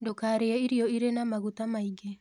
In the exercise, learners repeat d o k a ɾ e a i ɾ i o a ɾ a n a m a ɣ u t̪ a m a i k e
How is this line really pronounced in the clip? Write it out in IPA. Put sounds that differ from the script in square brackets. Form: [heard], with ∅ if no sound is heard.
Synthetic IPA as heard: d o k a ɾ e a i ɾ i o [i] ɾ [e] n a m a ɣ u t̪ a m a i [ɡ] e